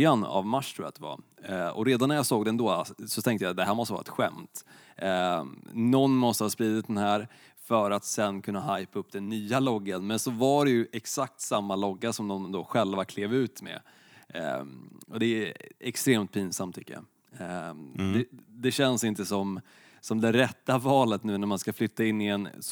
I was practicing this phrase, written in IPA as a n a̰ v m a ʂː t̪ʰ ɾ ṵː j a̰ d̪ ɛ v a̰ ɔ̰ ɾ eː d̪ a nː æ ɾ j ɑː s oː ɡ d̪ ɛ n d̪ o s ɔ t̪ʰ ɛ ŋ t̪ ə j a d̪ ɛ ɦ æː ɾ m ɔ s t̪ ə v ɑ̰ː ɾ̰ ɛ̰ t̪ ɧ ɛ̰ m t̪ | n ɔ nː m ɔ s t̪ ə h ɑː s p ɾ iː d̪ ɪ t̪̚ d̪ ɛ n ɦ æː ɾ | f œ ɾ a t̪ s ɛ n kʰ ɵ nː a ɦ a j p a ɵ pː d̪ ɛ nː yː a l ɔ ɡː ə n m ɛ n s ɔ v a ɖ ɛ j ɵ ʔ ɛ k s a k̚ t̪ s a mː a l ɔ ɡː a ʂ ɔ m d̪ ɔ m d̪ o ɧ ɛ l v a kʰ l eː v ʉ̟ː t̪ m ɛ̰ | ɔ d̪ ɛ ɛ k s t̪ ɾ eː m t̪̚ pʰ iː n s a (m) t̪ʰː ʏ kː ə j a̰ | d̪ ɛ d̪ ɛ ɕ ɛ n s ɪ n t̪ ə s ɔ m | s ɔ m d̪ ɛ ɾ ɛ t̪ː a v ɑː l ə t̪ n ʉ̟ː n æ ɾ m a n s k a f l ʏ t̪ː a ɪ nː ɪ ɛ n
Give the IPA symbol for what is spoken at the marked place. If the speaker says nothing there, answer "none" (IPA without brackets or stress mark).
m